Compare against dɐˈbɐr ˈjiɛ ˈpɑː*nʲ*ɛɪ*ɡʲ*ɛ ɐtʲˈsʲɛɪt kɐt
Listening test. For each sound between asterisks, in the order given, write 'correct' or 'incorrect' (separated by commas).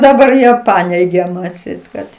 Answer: correct, correct